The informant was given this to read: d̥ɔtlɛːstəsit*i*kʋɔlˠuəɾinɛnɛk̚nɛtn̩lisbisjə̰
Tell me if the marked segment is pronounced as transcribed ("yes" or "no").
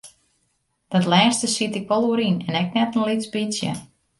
no